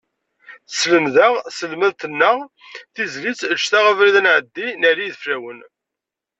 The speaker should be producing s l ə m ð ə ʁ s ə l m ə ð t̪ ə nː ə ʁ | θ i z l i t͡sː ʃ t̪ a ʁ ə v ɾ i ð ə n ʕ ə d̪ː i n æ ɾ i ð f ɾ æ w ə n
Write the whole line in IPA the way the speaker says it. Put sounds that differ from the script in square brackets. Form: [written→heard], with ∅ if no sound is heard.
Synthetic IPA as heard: s l ə m ð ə ʁ s ə l m ə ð t̪ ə nː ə ʁ | θ i z l i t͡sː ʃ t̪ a ʁ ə v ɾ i ð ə n ʕ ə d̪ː i n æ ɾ i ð f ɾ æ w ə n

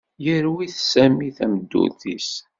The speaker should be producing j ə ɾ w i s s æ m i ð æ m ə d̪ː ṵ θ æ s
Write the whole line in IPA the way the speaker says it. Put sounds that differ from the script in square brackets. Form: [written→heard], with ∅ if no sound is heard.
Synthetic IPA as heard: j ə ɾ w i [s→θ] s æ m i [ð→θ] æ m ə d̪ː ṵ θ [æ→i] s

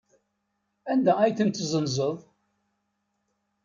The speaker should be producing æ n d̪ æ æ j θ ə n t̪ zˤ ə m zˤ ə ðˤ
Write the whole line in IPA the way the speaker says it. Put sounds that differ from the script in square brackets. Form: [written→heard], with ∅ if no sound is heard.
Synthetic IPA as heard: æ n d̪ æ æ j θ ə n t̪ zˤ ə [m→n] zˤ ə ðˤ

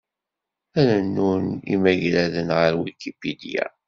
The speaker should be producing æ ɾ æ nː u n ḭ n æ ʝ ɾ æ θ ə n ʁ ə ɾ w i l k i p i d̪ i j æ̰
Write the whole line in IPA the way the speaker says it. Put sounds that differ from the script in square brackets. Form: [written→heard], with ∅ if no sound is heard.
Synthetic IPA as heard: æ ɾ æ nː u n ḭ [n→m] æ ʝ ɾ æ [θ→ð] ə n ʁ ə ɾ w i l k i p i d̪ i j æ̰

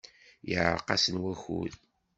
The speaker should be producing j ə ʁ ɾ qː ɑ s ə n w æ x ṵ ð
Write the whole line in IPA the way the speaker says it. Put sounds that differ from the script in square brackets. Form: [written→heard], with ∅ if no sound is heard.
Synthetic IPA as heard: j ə [ʁ→ʕ] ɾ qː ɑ s ə n w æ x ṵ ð

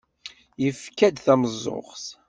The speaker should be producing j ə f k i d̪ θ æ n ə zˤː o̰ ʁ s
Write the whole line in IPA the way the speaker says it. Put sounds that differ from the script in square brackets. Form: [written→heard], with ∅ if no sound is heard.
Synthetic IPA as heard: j ə f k [i→æ] d̪ θ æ [n→m] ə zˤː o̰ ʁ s

